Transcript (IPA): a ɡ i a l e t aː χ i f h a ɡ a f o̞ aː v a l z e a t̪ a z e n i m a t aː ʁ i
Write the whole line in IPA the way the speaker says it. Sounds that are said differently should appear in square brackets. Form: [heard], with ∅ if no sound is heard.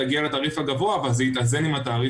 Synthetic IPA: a ɡ i a l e t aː [ʁ] i f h a ɡ a [v] o̞ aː v a l z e [i] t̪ a z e n i m a t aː ʁ i